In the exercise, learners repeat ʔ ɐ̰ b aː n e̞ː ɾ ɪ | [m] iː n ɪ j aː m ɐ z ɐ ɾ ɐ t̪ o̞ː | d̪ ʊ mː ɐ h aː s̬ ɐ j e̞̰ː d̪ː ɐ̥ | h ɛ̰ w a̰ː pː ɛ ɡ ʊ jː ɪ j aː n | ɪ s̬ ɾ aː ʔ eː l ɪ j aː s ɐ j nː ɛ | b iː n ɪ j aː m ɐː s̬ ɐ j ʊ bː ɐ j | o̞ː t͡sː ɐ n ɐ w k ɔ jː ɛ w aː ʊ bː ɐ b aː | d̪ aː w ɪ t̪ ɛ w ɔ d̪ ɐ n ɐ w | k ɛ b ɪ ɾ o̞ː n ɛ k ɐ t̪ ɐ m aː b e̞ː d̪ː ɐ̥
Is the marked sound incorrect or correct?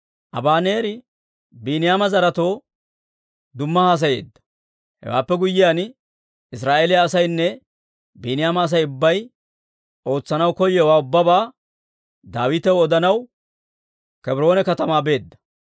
incorrect: b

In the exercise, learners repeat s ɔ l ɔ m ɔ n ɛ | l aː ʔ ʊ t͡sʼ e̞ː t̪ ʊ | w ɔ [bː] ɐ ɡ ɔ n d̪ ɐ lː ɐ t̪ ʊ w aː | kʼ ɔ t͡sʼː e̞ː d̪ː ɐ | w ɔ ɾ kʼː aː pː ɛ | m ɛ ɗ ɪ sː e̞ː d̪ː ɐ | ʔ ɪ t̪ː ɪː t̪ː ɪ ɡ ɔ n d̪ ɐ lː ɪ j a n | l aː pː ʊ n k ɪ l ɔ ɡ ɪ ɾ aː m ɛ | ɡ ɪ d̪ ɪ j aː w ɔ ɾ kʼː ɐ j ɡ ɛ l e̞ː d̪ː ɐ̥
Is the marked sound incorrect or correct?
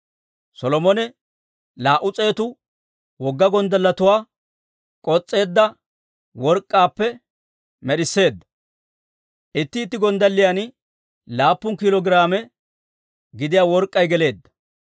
incorrect: ɡː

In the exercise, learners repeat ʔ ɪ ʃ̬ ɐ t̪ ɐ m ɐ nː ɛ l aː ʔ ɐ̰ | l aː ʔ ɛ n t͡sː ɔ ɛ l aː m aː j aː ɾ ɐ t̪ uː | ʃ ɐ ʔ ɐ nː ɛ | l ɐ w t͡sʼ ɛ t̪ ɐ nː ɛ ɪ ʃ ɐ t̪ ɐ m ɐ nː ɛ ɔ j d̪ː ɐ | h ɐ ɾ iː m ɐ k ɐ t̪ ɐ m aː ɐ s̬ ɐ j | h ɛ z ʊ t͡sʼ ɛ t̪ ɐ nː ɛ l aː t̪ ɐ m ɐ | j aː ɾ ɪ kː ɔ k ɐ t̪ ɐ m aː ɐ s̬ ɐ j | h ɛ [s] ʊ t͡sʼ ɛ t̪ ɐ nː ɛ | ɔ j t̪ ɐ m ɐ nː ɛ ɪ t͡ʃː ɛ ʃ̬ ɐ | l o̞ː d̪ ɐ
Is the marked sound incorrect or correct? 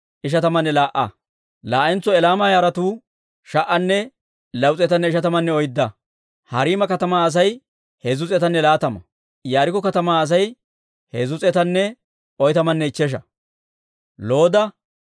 incorrect: z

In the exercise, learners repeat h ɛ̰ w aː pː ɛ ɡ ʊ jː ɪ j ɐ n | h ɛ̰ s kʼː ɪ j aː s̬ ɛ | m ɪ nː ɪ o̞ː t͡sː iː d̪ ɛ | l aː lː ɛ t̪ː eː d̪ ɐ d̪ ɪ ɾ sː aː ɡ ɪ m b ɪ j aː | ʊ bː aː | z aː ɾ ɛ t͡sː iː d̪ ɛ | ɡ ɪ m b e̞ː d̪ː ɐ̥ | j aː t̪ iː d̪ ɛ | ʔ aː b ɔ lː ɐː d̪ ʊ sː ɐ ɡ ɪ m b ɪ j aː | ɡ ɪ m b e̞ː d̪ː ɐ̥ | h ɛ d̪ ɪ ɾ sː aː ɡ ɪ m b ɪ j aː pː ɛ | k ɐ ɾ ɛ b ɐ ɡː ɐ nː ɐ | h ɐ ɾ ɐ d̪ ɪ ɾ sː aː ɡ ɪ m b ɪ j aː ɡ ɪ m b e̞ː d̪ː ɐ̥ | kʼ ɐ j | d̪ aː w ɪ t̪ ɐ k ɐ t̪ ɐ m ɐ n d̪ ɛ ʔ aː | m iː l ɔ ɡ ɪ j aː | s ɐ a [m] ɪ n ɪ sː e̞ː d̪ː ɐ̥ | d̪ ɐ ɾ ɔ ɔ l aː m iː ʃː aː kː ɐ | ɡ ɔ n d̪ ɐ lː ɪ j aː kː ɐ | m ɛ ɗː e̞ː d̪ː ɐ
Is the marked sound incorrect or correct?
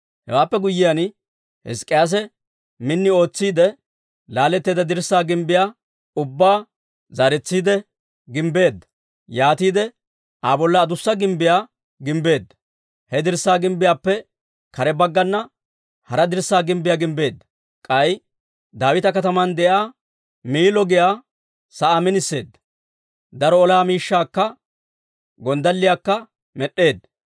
correct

